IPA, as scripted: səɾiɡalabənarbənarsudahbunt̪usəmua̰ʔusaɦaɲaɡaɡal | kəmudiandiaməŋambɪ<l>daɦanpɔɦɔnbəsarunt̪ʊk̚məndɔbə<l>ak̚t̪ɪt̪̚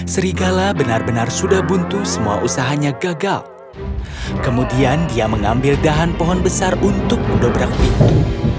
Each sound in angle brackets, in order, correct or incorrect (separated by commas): correct, incorrect